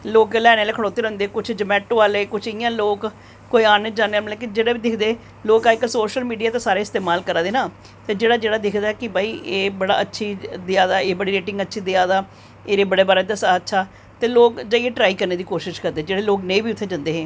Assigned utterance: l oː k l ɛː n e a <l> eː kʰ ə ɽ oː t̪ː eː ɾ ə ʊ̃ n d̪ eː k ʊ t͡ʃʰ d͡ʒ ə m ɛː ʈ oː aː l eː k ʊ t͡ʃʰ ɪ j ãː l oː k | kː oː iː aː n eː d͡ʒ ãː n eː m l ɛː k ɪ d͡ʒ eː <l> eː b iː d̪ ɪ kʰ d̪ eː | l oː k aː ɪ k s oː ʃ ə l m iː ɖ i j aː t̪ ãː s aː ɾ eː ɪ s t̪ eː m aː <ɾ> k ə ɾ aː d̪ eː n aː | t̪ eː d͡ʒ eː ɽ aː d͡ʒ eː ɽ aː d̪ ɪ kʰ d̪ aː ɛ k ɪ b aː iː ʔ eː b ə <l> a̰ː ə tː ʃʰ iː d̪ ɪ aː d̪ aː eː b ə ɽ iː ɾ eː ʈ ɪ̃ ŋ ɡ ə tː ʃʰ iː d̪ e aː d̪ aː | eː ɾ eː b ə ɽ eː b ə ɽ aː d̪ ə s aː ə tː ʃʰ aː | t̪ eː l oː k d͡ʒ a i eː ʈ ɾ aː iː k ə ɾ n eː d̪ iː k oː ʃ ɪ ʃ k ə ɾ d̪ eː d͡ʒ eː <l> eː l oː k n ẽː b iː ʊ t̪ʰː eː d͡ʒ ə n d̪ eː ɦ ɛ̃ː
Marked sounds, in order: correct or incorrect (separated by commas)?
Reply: correct, incorrect, incorrect, incorrect, incorrect